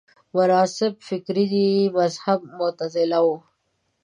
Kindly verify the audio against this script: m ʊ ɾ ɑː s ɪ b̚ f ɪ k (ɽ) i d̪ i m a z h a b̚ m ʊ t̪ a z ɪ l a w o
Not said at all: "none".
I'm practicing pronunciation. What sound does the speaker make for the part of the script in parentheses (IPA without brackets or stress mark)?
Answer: ɾ